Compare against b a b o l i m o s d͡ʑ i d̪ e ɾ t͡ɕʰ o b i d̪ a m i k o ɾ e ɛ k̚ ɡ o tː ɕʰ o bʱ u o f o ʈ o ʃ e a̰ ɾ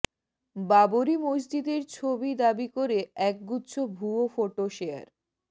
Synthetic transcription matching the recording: b a b o ɾ i m o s d͡ʑ i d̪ e ɾ t͡ɕʰ o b i d̪ a b i k o ɾ e ɛ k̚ ɡ u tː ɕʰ o bʱ u o f o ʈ o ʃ e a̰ ɾ